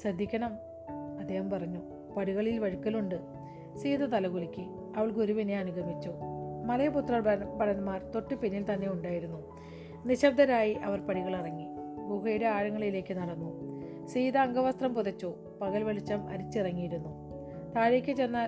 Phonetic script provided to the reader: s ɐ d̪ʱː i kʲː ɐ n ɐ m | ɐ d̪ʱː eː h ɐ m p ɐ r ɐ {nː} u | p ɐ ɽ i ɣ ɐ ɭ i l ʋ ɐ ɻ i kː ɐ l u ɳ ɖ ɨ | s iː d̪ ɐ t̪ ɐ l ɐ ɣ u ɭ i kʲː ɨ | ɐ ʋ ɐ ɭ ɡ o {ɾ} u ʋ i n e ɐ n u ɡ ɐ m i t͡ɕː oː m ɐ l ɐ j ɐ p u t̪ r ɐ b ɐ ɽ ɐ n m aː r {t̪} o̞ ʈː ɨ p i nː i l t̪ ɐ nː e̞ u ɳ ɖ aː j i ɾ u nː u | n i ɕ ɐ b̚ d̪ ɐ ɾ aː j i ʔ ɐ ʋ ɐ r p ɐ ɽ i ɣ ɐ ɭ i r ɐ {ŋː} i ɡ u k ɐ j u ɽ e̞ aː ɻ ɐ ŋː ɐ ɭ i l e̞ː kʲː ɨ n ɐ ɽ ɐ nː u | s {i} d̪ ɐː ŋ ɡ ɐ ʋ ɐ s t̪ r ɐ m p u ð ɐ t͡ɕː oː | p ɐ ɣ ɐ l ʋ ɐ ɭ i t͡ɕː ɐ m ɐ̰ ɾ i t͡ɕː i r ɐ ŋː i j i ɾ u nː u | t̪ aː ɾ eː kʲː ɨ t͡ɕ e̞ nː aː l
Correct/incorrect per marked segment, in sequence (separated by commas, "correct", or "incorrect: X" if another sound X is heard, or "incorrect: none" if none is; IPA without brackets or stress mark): incorrect: ɲː, correct, correct, correct, incorrect: iː